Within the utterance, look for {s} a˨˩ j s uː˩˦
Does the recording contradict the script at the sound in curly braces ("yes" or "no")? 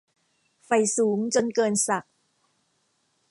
yes